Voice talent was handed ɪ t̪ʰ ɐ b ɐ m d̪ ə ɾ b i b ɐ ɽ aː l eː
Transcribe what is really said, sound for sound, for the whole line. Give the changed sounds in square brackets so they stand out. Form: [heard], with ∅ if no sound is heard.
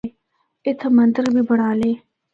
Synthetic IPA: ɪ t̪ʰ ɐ [m] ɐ [n] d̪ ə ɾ b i b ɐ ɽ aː l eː